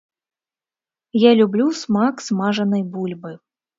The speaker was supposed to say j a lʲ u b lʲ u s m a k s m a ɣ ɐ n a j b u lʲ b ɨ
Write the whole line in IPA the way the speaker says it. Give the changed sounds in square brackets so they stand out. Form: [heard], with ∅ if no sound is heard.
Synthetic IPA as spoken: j a lʲ u b lʲ u s m a k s m a [ʐ] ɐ n [ɐ] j b u lʲ b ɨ